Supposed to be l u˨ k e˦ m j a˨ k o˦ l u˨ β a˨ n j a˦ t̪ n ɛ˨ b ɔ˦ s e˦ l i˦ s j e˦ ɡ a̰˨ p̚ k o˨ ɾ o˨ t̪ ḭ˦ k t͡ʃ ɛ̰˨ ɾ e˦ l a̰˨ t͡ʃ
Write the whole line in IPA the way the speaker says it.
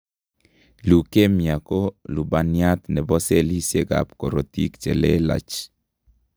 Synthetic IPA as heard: l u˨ k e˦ m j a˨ k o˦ l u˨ b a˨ n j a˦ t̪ n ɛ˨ b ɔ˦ s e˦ l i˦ s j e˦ ɡ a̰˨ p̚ k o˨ ɾ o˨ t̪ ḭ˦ k t͡ʃ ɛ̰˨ l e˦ l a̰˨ t͡ʃ